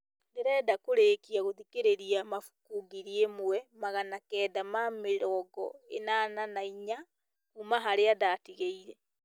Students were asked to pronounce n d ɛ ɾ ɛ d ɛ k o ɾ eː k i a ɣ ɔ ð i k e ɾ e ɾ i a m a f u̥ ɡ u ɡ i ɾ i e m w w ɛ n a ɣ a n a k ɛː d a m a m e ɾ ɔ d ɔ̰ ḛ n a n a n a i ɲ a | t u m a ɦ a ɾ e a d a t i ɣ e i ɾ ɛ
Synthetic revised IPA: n d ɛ ɾ ɛ d a k o ɾ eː k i a ɣ o ð i k e ɾ e ɾ i a m a f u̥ k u ɡ i ɾ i e m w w ɛ m a ɣ a n a k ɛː d a m a m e ɾ ɔ ɡ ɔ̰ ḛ n a n a n a i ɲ a | k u m a ɦ a ɾ e a d a t i ɣ e i ɾ ɛ